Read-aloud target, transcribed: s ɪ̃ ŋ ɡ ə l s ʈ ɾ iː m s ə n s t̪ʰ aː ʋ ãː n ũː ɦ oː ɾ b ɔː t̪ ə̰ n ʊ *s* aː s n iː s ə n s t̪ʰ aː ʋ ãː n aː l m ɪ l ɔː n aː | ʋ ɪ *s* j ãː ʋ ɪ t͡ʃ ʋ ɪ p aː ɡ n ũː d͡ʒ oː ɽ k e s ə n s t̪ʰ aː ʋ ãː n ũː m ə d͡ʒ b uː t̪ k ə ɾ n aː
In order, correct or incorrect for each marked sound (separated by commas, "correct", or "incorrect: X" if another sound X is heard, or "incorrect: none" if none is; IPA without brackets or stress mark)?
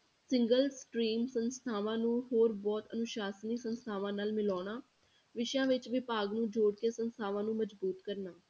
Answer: incorrect: ʃ, incorrect: ʃ